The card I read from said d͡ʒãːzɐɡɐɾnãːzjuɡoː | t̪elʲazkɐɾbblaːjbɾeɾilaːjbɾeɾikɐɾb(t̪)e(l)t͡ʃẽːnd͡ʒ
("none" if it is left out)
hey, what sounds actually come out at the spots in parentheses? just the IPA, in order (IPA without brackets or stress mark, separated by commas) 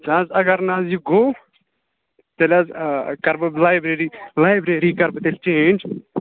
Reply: t̪, l